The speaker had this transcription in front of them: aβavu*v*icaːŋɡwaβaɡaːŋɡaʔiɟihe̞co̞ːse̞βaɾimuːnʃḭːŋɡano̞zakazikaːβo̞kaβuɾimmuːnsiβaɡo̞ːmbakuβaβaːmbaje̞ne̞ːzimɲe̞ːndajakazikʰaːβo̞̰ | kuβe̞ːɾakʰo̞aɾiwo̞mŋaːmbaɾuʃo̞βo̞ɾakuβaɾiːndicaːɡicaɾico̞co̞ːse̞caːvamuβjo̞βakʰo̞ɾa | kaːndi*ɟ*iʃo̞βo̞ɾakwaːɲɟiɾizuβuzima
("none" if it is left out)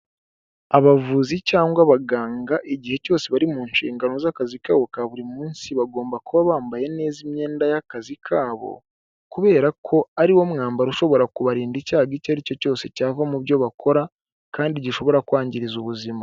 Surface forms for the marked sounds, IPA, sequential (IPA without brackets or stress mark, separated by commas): z, ɟ